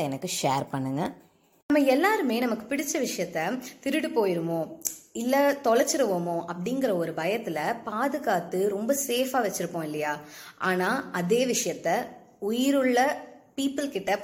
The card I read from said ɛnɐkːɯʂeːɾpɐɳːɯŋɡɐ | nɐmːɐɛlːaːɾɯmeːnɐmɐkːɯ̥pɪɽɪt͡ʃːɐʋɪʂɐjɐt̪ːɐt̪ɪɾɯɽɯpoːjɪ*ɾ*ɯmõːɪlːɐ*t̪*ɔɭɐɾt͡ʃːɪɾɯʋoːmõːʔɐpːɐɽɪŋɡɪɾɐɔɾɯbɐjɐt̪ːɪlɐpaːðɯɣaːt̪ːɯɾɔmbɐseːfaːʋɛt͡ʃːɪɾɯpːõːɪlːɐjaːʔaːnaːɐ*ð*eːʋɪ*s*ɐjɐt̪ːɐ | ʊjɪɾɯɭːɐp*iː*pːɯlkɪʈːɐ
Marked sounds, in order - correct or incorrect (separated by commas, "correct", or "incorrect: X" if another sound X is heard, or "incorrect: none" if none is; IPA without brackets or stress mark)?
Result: correct, correct, correct, incorrect: ʂ, correct